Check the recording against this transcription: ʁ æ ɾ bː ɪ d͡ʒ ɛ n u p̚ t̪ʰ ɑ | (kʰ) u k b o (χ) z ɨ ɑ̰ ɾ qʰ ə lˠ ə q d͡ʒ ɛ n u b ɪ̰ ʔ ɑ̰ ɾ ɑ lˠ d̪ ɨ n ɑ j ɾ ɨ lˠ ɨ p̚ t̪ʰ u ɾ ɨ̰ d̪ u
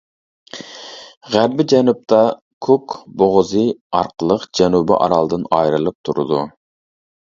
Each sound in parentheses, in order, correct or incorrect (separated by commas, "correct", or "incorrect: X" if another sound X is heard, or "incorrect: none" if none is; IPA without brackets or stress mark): correct, incorrect: ʁ